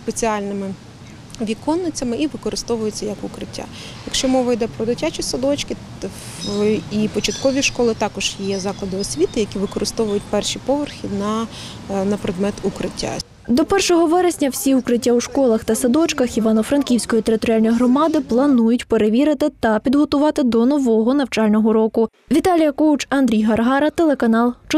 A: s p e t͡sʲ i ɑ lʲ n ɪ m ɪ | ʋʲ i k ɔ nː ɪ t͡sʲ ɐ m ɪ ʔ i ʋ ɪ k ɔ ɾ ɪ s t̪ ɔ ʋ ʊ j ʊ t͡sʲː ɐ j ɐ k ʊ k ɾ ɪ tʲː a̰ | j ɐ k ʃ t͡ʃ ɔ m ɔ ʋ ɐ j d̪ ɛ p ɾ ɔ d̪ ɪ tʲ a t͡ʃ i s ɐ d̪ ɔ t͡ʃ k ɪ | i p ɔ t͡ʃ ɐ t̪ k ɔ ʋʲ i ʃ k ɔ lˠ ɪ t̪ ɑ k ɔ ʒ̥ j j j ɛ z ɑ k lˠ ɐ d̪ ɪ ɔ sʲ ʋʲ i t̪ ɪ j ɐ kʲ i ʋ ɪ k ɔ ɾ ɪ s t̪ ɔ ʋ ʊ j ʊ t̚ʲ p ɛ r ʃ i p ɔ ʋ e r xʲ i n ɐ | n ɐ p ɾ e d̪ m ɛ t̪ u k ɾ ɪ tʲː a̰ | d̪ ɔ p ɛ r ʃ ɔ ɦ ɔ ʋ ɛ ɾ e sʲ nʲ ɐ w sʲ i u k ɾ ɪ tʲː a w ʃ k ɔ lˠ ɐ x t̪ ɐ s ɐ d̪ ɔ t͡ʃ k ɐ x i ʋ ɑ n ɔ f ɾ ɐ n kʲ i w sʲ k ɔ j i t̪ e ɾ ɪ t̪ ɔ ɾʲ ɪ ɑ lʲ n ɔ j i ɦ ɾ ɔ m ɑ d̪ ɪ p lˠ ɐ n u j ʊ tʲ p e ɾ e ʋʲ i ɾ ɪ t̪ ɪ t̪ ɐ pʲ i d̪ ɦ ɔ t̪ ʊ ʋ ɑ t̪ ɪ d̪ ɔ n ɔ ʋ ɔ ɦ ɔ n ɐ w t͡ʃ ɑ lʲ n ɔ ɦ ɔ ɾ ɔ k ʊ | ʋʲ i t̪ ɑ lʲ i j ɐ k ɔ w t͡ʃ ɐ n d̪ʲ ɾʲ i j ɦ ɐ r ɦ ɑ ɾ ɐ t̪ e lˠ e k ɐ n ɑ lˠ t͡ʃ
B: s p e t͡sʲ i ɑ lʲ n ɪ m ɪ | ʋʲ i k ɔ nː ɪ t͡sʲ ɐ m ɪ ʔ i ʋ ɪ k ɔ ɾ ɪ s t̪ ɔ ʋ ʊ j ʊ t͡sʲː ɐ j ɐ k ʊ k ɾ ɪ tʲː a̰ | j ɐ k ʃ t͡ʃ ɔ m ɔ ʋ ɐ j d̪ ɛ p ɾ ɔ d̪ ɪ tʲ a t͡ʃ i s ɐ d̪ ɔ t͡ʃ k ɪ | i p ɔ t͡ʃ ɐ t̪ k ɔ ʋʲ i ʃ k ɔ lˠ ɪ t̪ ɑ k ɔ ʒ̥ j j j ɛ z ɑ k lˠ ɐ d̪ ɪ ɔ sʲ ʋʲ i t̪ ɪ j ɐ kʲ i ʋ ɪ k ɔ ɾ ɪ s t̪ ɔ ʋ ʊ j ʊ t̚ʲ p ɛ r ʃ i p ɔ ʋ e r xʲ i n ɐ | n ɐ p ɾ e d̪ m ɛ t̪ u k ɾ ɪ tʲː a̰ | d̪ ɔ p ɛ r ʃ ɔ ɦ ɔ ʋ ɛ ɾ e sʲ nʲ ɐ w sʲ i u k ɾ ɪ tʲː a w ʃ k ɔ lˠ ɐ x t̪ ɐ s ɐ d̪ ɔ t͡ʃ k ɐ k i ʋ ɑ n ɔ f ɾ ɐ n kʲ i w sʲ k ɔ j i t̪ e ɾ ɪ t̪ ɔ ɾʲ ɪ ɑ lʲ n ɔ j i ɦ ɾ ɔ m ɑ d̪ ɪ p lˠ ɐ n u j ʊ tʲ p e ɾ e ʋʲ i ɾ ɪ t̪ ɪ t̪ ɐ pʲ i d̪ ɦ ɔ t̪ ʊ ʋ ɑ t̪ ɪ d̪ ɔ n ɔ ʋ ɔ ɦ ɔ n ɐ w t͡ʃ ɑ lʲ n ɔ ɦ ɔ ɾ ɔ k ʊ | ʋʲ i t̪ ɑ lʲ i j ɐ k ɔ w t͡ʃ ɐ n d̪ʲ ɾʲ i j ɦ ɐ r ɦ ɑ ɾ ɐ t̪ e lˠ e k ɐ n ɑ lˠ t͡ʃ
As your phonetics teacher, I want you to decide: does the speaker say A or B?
A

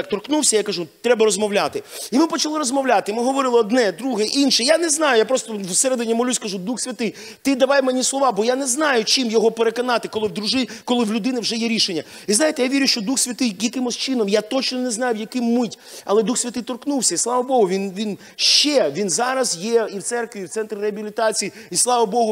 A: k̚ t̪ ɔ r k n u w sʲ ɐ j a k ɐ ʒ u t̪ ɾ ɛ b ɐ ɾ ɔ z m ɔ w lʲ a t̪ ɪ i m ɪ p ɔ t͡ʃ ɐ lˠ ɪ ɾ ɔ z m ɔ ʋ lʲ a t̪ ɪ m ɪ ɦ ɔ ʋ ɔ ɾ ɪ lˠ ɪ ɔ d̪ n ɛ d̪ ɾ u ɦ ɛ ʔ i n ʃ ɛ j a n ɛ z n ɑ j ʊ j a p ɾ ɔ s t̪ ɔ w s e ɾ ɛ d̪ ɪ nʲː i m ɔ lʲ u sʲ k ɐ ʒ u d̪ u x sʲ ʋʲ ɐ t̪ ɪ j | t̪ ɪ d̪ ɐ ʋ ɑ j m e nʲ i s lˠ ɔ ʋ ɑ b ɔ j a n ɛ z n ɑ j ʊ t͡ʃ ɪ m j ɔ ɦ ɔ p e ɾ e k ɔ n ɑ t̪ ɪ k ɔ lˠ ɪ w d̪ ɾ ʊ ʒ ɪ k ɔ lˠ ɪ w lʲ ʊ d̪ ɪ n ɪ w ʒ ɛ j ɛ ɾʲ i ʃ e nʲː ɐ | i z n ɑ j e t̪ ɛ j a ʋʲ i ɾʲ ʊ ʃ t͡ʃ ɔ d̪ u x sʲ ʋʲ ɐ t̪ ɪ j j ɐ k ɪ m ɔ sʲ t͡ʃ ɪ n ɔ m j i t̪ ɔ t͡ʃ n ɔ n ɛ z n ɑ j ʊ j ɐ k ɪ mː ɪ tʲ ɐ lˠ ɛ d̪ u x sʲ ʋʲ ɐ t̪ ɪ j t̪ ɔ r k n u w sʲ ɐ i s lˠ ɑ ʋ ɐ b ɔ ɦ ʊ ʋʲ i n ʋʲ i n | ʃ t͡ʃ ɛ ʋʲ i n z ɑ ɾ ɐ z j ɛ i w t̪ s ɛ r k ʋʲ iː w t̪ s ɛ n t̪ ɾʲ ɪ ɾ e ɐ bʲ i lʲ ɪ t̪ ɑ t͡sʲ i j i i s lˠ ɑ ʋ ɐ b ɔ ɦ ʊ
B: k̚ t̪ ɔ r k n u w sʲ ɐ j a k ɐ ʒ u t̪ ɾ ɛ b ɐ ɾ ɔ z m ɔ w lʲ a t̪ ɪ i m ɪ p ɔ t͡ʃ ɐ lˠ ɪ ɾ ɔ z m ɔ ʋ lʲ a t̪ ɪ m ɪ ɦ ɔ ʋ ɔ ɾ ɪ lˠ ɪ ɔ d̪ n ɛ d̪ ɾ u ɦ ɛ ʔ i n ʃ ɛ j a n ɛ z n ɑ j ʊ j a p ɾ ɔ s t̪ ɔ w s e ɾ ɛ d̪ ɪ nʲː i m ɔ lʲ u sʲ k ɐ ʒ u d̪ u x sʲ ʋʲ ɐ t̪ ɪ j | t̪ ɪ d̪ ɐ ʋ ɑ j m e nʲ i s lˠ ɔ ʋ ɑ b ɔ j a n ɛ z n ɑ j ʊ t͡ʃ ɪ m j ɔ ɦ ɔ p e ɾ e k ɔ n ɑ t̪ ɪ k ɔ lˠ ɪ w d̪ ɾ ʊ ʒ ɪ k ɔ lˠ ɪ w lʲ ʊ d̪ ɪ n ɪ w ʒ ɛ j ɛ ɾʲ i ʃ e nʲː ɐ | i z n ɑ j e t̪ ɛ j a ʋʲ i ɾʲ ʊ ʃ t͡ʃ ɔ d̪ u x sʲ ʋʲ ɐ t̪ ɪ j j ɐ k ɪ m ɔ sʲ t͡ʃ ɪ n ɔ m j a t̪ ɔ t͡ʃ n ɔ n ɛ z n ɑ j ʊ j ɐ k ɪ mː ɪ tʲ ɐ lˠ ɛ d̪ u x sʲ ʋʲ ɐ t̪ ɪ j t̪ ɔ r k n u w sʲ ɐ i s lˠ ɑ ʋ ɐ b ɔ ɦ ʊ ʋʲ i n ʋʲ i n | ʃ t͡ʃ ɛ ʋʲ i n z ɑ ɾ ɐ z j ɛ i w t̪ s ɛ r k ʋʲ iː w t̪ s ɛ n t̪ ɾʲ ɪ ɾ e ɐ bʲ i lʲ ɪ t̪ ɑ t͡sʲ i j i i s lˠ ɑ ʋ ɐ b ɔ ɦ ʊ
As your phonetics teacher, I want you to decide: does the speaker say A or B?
B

